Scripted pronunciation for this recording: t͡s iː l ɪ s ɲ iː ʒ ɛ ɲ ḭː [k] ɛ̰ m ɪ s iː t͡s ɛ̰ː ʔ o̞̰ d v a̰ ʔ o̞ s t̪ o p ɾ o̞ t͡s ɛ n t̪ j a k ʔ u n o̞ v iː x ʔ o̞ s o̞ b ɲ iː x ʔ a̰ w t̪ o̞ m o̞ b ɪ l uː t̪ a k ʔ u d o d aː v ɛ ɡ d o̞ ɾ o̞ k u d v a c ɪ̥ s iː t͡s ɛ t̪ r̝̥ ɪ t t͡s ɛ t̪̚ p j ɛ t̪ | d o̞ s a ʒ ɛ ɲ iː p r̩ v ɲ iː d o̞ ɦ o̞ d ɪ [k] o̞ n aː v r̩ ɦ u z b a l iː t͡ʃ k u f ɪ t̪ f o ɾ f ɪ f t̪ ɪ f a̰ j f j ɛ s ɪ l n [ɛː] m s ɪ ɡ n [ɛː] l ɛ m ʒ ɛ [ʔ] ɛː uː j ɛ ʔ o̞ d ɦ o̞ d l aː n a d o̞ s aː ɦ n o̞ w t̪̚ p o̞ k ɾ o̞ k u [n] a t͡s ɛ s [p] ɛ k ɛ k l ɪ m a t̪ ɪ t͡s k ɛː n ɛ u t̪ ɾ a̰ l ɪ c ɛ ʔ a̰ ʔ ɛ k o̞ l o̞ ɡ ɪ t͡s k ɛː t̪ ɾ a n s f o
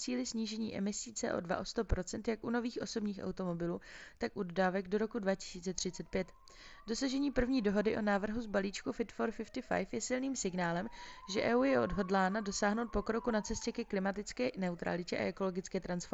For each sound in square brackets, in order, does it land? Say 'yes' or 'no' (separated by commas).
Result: no, no, no, no, yes, yes, no